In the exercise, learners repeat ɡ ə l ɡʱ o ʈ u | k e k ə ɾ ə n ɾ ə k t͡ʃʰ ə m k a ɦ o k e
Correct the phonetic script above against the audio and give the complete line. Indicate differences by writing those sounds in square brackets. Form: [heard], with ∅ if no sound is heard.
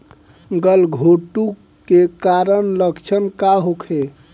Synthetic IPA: ɡ ə l ɡʱ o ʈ u | k e k [a] ɾ ə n [l] ə k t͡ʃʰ ə [n] k a ɦ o [kʰ] e